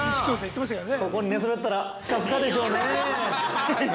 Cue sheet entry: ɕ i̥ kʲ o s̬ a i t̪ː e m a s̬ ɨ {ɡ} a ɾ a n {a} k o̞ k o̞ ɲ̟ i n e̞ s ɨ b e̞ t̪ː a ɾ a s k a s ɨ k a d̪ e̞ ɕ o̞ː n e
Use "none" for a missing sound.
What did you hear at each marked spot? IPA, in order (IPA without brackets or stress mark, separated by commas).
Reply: k, e